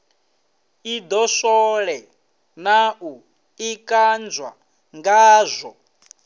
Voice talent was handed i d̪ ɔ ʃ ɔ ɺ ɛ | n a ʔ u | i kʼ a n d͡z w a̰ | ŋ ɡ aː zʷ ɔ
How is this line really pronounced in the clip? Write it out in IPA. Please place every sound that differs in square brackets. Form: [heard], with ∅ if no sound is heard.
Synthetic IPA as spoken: i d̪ ɔ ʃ ɔ ɺ ɛ | n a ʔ u | i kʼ a n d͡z w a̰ | ŋ ɡ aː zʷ ɔ